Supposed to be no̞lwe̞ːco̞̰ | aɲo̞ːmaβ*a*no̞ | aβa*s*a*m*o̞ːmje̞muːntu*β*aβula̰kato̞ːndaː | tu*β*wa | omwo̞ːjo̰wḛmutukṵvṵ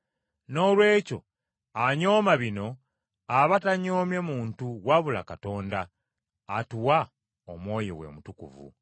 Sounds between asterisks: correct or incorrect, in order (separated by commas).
incorrect, incorrect, incorrect, incorrect, incorrect